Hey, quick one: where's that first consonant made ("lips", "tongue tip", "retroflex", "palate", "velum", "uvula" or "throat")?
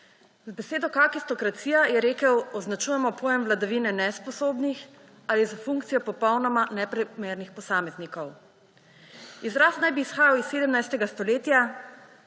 tongue tip